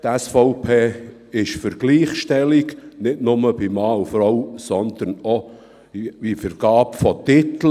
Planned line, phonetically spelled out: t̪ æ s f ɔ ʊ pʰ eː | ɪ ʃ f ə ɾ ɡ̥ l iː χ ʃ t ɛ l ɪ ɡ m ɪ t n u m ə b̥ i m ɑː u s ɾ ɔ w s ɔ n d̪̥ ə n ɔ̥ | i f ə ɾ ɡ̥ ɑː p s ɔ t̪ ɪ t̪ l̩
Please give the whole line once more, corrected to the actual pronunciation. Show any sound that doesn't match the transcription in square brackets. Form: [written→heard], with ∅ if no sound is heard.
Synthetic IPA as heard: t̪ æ s f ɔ ʊ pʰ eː | ɪ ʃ f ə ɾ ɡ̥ l iː χ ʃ t ɛ l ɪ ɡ [m→n] ɪ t n [u→ʊ] m ə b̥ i m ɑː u [s→f] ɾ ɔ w s ɔ n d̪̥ ə n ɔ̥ | i f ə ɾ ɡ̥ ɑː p [s→f] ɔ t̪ ɪ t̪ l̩